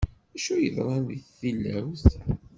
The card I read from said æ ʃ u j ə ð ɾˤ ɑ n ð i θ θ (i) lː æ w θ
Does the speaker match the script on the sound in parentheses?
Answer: yes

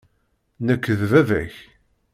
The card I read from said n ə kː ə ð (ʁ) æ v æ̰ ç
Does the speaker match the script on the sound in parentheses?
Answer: no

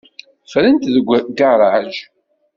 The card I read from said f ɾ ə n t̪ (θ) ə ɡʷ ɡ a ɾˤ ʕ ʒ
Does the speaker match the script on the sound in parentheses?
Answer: no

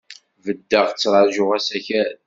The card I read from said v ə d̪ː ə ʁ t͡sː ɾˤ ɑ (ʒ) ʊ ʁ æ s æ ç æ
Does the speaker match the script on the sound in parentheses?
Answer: yes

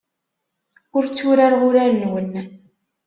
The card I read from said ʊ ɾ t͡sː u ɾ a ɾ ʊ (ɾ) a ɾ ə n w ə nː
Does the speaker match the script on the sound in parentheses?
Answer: yes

